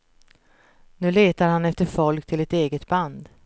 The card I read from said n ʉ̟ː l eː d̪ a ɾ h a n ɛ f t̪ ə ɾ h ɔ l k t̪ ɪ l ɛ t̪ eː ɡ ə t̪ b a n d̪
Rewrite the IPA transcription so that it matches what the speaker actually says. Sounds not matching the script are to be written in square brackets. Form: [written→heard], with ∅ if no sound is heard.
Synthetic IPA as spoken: n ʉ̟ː l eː [d̪→t̪] a ɾ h a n ɛ f t̪ ə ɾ [h→f] ɔ l k [t̪→t̪ʰ] ɪ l ɛ t̪ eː ɡ ə t̪ b a n d̪